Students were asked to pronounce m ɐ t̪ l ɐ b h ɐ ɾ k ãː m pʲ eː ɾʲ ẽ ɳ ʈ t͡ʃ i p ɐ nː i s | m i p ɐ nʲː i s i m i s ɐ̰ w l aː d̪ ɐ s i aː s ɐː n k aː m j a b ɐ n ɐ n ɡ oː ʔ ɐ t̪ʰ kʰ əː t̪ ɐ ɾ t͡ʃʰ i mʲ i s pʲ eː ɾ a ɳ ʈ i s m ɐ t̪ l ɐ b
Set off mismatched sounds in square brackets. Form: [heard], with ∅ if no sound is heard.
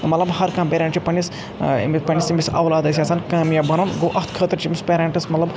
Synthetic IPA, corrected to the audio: m ɐ t̪ l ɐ b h ɐ ɾ k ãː m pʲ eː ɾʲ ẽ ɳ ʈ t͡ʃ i p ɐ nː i s | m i p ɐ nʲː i s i m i s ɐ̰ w l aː d̪ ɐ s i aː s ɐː n k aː m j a b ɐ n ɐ n ɡ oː ʔ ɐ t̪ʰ kʰ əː t̪ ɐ ɾ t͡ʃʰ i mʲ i s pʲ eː ɾ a ɳ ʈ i s m ɐ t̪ l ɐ b